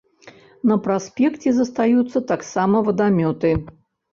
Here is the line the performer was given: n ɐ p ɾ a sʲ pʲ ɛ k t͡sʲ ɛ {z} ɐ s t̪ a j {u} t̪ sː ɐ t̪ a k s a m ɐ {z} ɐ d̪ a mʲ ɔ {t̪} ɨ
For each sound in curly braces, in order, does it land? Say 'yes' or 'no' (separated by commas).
yes, yes, no, yes